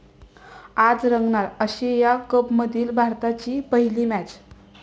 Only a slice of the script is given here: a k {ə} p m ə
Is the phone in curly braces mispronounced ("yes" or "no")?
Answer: no